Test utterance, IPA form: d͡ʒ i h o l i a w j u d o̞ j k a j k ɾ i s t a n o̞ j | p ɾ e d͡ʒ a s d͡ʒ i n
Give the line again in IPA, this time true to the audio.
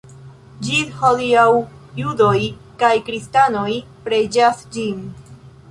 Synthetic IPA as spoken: d͡ʒ i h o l i a w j u d o̞ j k a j k ɾ i s t a n o̞ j | p ɾ e d͡ʒ a s d͡ʒ i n